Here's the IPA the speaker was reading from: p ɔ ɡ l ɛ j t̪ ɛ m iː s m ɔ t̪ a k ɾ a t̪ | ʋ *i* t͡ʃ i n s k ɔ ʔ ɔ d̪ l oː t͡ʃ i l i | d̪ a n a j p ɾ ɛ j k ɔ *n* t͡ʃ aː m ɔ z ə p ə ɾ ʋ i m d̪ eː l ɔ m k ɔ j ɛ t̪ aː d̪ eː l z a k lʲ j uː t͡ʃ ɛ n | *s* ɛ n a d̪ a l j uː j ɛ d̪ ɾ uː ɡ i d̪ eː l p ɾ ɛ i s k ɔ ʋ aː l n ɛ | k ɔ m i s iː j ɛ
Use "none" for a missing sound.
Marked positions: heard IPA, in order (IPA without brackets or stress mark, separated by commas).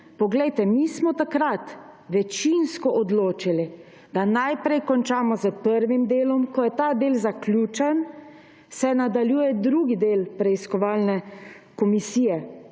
ɛ, n, s